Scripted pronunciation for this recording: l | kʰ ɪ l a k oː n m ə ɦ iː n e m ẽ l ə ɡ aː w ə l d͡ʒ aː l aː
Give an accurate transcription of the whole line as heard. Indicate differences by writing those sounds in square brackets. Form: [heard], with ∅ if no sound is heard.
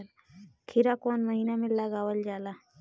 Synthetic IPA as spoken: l | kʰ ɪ [ɾ] a k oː n m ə ɦ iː n [a] m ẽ l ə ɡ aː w ə l d͡ʒ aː l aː